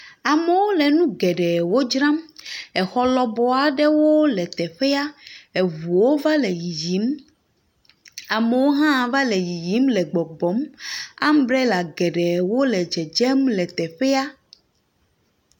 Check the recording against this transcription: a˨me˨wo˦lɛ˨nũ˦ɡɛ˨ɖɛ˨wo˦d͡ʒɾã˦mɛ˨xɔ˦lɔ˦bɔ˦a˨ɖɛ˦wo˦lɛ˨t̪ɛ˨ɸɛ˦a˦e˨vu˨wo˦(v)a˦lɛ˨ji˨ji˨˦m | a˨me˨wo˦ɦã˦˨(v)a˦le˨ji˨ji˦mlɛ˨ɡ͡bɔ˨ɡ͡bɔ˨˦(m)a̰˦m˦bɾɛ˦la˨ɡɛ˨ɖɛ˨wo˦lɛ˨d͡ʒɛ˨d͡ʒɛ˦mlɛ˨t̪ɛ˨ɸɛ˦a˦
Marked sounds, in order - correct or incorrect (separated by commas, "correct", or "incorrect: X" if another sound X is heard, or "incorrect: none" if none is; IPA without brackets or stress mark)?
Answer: correct, correct, correct